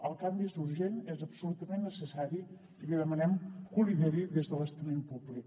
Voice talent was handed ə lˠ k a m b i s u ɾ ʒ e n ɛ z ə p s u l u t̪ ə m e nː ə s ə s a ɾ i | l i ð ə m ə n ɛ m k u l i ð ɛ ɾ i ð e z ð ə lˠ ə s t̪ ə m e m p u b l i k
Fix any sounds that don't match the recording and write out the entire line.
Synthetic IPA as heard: ə lˠ k a m b i s u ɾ ʒ e n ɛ z ə p s u l u t̪ ə m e nː ə s ə s a ɾ i | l i ð ə m ə n ɛ m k u l i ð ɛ ɾ i ð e z ð ə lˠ ə s t̪ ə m e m p u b l i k